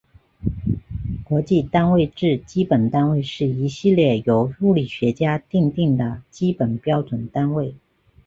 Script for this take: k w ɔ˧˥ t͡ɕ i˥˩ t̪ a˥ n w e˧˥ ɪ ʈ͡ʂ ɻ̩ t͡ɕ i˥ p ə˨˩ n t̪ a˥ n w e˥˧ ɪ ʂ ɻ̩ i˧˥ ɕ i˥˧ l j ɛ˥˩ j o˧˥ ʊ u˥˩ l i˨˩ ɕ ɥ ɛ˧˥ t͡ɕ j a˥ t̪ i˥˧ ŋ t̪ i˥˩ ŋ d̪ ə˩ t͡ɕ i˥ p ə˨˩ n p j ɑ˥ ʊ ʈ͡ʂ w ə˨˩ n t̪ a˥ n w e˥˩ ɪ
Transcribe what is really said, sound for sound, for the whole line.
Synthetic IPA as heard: k w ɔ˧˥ t͡ɕ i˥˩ t̪ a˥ n w e˥˧ ɪ ʈ͡ʂ ɻ̩ t͡ɕ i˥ p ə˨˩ n t̪ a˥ n w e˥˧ ɪ ʂ ɻ̩ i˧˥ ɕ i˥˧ l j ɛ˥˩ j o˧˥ ʊ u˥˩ l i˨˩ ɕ ɥ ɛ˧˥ t͡ɕ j a˥ t̪ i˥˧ ŋ t̪ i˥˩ ŋ d̪ ə˩ t͡ɕ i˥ p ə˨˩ n p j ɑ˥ ʊ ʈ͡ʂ w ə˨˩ n t̪ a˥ n w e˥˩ ɪ